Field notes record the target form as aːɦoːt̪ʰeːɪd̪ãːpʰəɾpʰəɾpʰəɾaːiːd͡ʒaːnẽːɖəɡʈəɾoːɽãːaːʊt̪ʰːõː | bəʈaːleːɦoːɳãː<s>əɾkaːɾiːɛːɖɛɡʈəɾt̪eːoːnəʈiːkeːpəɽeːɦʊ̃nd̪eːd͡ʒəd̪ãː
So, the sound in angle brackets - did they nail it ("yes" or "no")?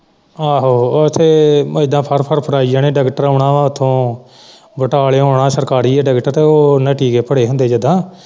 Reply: yes